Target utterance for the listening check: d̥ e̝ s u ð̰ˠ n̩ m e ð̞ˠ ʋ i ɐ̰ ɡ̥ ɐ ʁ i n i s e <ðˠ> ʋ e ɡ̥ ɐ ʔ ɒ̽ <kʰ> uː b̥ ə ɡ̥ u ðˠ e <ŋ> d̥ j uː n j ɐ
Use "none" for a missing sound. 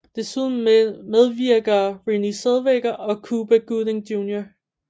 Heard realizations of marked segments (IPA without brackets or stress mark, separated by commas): ðˠ, kʰ, ŋ